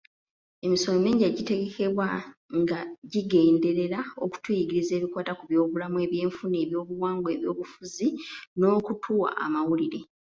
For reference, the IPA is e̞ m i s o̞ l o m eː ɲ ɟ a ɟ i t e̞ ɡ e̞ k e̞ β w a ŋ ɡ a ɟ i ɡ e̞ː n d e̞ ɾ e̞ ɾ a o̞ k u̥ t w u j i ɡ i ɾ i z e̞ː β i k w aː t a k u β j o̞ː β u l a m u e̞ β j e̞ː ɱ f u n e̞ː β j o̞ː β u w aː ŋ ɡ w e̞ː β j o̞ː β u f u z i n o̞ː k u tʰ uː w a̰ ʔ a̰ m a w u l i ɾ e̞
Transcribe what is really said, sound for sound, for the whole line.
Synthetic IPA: e̞ m i s o̞ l o m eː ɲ ɟ a ɟ i t e̞ ɡ e̞ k e̞ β w a ŋ ɡ a ɟ i ɡ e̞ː n d e̞ ɾ e̞ ɾ a o̞ k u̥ t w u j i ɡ i ɾ i z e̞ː β i k w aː t a k u β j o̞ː β u l a m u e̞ β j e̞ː ɱ f u n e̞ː β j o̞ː β u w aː ŋ ɡ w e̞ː β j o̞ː β u f u z i n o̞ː k u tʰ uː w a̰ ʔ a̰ m a w u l i ɾ e̞

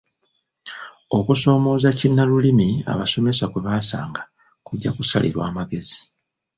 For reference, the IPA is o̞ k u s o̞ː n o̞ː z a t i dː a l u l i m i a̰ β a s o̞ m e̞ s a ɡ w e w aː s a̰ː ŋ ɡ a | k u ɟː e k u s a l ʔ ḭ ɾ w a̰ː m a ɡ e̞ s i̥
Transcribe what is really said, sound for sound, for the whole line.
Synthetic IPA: o̞ k u s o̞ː m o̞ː z a c i nː a l u l i m i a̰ β a s o̞ m e̞ s a k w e β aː s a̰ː ŋ ɡ a | k u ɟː a k u s a l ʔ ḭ ɾ w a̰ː m a ɡ e̞ z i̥

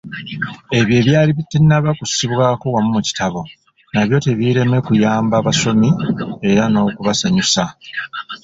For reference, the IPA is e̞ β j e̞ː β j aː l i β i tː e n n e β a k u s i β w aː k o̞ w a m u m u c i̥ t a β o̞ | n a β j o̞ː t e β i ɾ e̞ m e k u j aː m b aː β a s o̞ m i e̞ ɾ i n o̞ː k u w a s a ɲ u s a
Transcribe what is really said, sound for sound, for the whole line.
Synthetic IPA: e̞ β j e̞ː β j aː l i β i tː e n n a β a k u s i β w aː k o̞ w a m u m u c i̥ t a β o̞ | n a β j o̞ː t e β i ɾ e̞ m e k u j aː m b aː β a s o̞ m i e̞ ɾ a n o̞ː k u β a s a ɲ u s a

